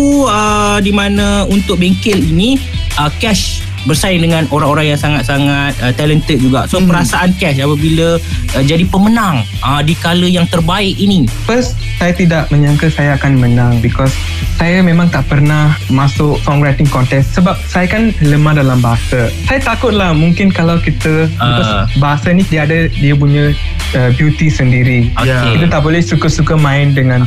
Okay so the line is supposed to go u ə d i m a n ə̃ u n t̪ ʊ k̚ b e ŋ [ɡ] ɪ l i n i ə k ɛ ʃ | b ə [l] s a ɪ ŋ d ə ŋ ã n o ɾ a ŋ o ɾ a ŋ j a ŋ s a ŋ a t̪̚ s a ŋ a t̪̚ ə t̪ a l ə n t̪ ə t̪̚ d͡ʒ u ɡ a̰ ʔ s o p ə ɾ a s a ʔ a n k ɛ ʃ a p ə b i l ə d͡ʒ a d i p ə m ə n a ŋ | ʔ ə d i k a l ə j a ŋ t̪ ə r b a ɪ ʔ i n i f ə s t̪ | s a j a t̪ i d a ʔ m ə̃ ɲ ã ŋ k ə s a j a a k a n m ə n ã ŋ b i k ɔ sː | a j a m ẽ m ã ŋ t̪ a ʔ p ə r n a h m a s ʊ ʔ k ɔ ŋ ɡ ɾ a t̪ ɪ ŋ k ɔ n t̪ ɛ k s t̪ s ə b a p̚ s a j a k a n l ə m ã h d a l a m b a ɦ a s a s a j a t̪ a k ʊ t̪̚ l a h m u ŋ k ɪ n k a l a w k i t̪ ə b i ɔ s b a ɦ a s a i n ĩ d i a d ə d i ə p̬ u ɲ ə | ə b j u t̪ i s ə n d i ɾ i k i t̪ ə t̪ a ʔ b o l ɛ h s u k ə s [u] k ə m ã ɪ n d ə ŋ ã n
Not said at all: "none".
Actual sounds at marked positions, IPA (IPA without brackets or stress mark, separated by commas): k, r, u